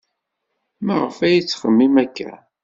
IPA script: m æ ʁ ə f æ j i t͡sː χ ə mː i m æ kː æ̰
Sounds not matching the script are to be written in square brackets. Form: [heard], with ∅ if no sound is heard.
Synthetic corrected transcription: m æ ʁ ə f æ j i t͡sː χ ə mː i m æ kː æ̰